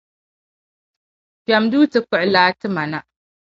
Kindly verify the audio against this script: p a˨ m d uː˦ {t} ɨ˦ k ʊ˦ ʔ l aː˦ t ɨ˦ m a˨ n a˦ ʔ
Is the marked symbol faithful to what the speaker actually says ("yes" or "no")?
yes